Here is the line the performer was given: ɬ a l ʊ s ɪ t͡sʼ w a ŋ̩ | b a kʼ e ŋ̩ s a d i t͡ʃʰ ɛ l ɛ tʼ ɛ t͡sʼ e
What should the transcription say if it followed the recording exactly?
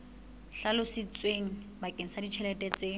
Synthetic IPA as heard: ɬ a l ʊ s ɪ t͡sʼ w e ŋ̩ | b a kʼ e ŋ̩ s a d i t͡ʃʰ ɛ l ɛ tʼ ɛ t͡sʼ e